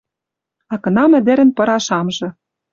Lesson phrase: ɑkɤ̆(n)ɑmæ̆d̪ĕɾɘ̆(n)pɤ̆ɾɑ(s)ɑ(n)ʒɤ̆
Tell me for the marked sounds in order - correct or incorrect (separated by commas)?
correct, correct, incorrect, incorrect